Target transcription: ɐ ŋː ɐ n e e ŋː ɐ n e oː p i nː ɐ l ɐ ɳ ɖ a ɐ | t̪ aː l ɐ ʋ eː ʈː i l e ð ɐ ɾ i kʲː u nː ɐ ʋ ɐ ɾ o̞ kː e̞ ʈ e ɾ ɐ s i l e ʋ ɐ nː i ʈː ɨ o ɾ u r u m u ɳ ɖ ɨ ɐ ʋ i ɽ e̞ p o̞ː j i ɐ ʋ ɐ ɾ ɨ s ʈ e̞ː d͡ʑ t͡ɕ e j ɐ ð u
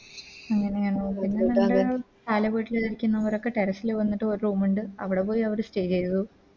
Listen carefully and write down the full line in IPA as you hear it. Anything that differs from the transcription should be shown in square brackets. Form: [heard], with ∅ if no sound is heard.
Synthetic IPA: ɐ ŋː ɐ n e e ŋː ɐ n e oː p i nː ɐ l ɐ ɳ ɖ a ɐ | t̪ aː l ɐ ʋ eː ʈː i l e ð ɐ ɾ i kʲː u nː ɐ ʋ ɐ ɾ o̞ kː e̞ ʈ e ɾ ɐ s i l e ʋ ɐ nː i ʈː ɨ o ɾ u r [uː] m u ɳ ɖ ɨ ɐ ʋ i ɽ e̞ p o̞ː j i ɐ ʋ ɐ ɾ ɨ s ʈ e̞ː d͡ʑ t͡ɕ e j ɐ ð u